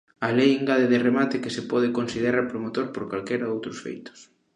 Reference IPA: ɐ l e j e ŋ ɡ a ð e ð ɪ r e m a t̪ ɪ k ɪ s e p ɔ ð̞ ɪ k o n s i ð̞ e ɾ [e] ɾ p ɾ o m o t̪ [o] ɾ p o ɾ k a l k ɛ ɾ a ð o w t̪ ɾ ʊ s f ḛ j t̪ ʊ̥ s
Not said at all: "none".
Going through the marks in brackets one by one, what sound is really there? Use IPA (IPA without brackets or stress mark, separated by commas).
a, o